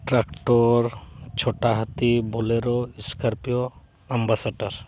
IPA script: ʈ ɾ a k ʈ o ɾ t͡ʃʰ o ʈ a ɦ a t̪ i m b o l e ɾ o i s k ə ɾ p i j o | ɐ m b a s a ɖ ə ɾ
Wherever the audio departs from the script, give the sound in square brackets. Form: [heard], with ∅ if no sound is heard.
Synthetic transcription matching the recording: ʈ ɾ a k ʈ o ɾ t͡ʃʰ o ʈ a ɦ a t̪ i [∅] b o l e ɾ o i s k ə ɾ p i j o | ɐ m b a s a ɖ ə ɾ